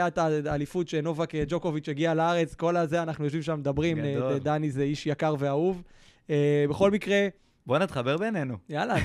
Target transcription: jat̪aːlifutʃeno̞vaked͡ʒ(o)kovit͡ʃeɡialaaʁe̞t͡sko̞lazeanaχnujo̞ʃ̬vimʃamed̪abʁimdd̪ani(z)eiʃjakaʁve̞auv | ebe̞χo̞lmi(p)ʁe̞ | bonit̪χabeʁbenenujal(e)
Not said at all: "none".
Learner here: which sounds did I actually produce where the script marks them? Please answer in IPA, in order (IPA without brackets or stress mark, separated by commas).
o, z, k, a